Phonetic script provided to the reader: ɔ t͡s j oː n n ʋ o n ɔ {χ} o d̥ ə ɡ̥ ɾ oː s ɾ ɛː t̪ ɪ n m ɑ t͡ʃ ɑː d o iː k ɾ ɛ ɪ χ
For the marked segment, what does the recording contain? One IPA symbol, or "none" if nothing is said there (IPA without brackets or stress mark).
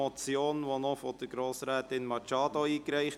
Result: f